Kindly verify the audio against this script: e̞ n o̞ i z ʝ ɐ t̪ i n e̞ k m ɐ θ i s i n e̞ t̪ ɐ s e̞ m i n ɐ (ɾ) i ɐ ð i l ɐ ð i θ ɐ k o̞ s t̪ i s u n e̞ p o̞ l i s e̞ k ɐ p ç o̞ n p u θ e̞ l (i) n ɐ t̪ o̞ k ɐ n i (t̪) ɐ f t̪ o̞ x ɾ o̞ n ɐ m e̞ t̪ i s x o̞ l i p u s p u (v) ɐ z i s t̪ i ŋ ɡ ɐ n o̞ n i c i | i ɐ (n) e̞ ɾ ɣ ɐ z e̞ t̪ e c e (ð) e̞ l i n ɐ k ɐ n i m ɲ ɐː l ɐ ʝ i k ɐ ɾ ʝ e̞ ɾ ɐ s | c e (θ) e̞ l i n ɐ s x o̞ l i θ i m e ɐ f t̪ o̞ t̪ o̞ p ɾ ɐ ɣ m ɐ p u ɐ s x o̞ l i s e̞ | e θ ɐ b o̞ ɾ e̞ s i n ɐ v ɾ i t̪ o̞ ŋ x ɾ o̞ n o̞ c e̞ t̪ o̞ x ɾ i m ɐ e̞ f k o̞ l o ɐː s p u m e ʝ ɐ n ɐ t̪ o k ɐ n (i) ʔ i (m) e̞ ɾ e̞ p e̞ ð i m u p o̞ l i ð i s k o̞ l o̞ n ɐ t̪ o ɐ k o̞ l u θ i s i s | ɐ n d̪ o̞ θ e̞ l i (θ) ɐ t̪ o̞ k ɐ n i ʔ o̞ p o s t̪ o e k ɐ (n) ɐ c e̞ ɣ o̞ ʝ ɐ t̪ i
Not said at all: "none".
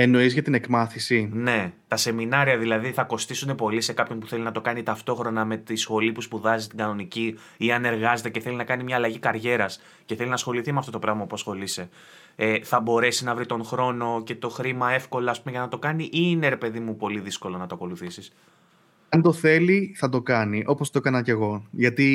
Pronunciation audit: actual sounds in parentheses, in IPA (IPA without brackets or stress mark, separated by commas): ɾ, i, t̪, ð, n, θ, θ, i, n, θ, n